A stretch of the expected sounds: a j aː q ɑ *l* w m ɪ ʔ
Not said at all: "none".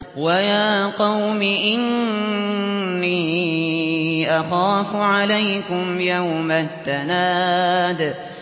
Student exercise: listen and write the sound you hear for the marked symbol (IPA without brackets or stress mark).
none